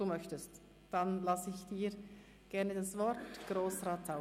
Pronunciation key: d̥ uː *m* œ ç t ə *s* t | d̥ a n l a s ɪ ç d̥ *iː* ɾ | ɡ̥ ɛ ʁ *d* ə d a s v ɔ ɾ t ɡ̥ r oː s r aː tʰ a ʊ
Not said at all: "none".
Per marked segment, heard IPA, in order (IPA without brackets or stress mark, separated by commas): m, s, iː, n